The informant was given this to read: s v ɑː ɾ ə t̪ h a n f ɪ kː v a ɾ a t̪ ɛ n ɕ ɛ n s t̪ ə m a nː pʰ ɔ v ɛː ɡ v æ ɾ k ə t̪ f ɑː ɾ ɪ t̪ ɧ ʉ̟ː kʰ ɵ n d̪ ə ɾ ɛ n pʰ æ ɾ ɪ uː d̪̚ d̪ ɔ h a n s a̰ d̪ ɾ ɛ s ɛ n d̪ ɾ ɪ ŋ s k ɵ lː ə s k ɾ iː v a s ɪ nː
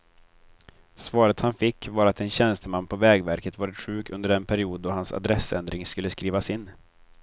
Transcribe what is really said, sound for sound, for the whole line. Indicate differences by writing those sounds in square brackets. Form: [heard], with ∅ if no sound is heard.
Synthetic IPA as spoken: s v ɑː ɾ ə t̪ h a n f ɪ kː v a ɾ a t̪ ɛ n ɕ ɛ n s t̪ ə m a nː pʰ ɔ v ɛː ɡ v æ ɾ k ə t̪ [v] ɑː ɾ ɪ t̪ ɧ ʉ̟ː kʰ ɵ n d̪ ə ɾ ɛ n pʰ æ ɾ ɪ uː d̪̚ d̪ ɔ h a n s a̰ d̪ ɾ ɛ s ɛ n d̪ ɾ ɪ ŋ s k ɵ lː ə s k ɾ iː v a s ɪ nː

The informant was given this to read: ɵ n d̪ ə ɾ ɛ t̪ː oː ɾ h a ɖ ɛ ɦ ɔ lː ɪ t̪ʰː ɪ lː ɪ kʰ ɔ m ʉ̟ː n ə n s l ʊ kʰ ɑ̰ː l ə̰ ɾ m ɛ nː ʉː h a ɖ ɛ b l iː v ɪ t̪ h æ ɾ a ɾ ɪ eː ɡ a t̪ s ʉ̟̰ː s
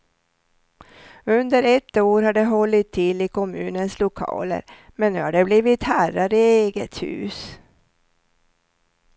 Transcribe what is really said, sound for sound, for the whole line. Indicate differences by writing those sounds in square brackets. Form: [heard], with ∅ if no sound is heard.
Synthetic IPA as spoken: ɵ n d̪ ə ɾ ɛ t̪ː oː ɾ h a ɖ ɛ ɦ ɔ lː ɪ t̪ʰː ɪ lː ɪ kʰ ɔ m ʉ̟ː n ə n s l ʊ kʰ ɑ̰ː l ə̰ ɾ m ɛ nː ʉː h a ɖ ɛ b l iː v ɪ t̪ h æ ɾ a ɾ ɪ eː ɡ [ə] t̪ [h] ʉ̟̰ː s

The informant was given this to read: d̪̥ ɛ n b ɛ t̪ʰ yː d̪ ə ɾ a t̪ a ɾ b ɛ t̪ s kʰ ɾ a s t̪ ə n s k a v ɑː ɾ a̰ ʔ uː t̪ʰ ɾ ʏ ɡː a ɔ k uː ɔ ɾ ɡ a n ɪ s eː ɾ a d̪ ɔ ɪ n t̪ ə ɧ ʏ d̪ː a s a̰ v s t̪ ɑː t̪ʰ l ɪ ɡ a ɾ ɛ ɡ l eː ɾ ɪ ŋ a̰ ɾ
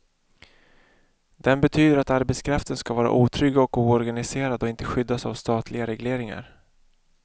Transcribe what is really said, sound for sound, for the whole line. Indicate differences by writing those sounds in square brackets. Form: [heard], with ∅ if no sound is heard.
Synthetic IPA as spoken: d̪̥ ɛ n b ɛ t̪ʰ yː d̪ ə ɾ a t̪ a ɾ b ɛ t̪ s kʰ ɾ a [f] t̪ ə n s k a v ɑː ɾ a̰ ʔ uː t̪ʰ ɾ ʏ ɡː a ɔ k uː ɔ ɾ ɡ a n ɪ s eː ɾ a d̪ ɔ ɪ n t̪ ə ɧ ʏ d̪ː a s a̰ v s t̪ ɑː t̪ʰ l ɪ ɡ a ɾ ɛ ɡ l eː ɾ ɪ ŋ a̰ ɾ

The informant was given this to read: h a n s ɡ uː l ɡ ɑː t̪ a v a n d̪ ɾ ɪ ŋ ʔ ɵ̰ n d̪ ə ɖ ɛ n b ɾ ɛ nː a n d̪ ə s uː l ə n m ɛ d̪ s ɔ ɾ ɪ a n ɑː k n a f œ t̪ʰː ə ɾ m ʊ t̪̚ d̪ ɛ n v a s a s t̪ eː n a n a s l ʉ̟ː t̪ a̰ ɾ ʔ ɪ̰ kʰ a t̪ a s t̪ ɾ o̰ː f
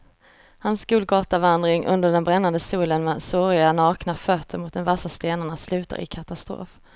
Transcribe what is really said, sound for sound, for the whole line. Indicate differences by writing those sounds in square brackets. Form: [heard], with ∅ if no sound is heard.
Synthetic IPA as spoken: h a n s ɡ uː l ɡ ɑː t̪ a v a n d̪ ɾ ɪ ŋ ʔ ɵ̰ n d̪ ə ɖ ɛ n b ɾ ɛ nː a n d̪ ə s uː l ə n m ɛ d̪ s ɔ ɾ ɪ a n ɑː k n a f œ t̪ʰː ə ɾ m ʊ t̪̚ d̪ ɛ n v a s a s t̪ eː n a [ɳ] a s l ʉ̟ː t̪ a̰ ɾ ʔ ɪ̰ kʰ a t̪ a s t̪ ɾ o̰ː f

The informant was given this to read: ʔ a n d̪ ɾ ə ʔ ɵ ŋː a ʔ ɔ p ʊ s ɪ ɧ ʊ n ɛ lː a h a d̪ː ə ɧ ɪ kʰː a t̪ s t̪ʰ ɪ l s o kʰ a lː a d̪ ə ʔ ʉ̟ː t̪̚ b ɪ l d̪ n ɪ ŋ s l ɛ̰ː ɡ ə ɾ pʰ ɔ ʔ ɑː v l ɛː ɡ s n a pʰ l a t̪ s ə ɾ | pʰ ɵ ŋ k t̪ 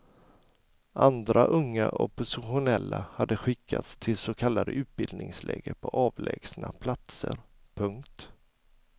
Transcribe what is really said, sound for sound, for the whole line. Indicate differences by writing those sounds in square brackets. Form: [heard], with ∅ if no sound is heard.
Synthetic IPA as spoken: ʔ a n d̪ ɾ [a] ʔ ɵ ŋː a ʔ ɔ p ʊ s ɪ ɧ ʊ n ɛ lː a h a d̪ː ə ɧ ɪ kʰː a t̪ s t̪ʰ ɪ l s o kʰ a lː a d̪ ə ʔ ʉ̟ː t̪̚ b ɪ l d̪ n ɪ ŋ s l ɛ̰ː ɡ ə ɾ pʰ ɔ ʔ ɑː v l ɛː ɡ s n a pʰ l a t̪ s ə ɾ | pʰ ɵ ŋ k t̪

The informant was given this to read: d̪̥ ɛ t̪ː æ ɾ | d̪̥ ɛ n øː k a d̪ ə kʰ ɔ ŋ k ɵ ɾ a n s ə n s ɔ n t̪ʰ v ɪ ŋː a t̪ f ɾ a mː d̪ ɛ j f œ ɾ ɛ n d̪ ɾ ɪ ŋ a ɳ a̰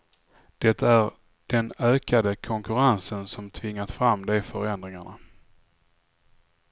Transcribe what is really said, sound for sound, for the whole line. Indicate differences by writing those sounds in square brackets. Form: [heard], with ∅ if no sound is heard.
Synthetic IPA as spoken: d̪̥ ɛ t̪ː æ ɾ | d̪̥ ɛ n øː k a d̪ ə kʰ ɔ ŋ k ɵ ɾ a n s ə n s ɔ [m] t̪ʰ v ɪ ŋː a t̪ f ɾ a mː d̪ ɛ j f œ ɾ ɛ n d̪ ɾ ɪ ŋ a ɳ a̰

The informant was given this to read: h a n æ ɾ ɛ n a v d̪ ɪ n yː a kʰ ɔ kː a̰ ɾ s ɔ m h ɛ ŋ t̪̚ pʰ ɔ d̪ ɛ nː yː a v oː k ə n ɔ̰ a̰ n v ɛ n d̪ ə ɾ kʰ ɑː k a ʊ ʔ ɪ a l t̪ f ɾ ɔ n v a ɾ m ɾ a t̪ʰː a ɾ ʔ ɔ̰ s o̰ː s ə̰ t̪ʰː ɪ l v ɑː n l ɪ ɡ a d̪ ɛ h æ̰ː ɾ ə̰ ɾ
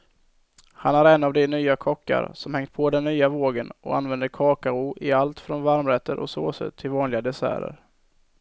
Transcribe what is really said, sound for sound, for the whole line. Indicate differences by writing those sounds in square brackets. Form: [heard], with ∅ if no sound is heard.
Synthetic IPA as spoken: h a n æ ɾ ɛ n a v d̪ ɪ n yː a kʰ ɔ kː a̰ ɾ s ɔ m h ɛ ŋ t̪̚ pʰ ɔ d̪ ɛ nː yː a v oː [ɡ] ə n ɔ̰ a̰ n v ɛ n d̪ ə ɾ kʰ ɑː k a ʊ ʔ ɪ a l t̪ f ɾ ɔ n v a ɾ m ɾ [ɛ] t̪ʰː [ə] ɾ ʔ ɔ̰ s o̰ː s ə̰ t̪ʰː ɪ l v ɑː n l ɪ ɡ a d̪ ɛ [s] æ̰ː ɾ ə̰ ɾ

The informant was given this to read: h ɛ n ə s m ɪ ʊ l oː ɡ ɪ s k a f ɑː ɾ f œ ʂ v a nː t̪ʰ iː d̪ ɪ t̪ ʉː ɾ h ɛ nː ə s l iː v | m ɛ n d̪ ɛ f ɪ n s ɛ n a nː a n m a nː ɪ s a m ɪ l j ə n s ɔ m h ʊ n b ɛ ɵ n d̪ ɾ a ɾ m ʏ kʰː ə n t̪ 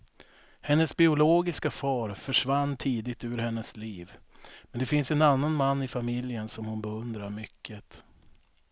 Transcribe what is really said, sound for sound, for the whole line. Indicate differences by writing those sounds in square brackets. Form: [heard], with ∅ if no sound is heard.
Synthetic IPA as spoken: h ɛ [nː] ə s [b] ɪ ʊ l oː ɡ ɪ s k a f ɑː ɾ f œ ʂ v a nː t̪ʰ iː d̪ ɪ t̪ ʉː ɾ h ɛ nː ə s l iː v | m ɛ n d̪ ɛ f ɪ n s ɛ n a nː a n m a nː ɪ [f] a m ɪ l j ə n s ɔ m h ʊ n b ɛ ɵ n d̪ ɾ a ɾ m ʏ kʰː ə [∅] t̪

